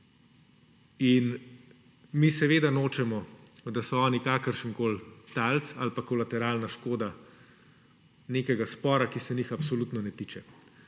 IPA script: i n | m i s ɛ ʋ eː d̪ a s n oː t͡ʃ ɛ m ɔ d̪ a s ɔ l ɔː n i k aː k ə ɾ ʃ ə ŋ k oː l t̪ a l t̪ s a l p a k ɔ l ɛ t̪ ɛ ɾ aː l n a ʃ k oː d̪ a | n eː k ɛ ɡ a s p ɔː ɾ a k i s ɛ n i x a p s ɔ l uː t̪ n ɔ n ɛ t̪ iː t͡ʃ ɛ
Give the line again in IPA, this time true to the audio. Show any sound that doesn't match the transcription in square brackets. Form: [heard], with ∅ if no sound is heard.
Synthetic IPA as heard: i n | m i s ɛ ʋ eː d̪ a [∅] n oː t͡ʃ ɛ m ɔ d̪ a s ɔ [∅] ɔː n i k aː k ə ɾ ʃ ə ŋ k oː l t̪ a l t̪ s a l p a k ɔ l [a] t̪ ɛ ɾ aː l n a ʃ k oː d̪ a | n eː k ɛ ɡ a s p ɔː ɾ a k i s ɛ n i x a p s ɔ l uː t̪ n ɔ n ɛ t̪ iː t͡ʃ ɛ